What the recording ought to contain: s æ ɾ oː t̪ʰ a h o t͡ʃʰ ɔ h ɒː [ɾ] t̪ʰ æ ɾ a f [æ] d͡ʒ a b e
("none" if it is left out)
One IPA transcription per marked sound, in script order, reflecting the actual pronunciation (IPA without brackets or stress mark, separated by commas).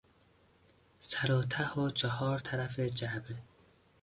ɾ, e